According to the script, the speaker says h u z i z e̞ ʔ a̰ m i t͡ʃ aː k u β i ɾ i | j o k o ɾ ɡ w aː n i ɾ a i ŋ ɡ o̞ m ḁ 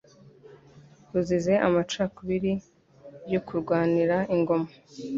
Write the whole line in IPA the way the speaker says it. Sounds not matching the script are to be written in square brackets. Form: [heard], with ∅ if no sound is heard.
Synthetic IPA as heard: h u z i z e̞ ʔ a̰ m [a] t͡ʃ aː k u β i ɾ i | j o k [u] ɾ ɡ w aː n i ɾ a i ŋ ɡ o̞ m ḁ